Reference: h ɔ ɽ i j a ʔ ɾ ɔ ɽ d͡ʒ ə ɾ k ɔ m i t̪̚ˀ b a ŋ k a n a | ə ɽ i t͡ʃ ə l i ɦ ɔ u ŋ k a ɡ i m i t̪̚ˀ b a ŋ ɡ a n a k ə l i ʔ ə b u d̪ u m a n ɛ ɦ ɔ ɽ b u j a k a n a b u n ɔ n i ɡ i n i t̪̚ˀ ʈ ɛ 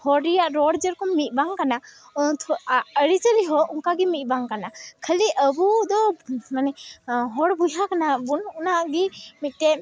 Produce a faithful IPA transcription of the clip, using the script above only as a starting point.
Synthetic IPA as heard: h ɔ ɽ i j a ʔ ɾ ɔ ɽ d͡ʒ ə ɾ k ɔ m i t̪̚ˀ b a ŋ k a n a | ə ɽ i t͡ʃ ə l i ɦ ɔ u ŋ k a ɡ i m i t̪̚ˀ b a ŋ k a n a kʰ ə l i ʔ ə b u d̪ ɔ m a n ɛ ɦ ɔ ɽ b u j a k a n a b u n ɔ n a ɡ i m i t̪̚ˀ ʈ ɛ